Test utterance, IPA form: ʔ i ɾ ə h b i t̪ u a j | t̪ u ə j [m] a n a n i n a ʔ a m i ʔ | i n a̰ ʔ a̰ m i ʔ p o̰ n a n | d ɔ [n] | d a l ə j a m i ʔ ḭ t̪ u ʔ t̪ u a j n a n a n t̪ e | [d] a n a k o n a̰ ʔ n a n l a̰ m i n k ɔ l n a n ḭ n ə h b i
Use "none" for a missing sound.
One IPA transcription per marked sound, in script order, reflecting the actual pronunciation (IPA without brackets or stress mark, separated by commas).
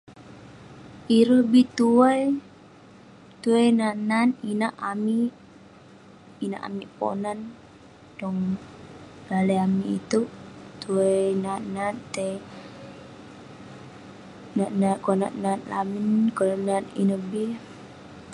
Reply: n, ŋ, n